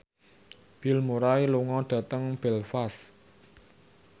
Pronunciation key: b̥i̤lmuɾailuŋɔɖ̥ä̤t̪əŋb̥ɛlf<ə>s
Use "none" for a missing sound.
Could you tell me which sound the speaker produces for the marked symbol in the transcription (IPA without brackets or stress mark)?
a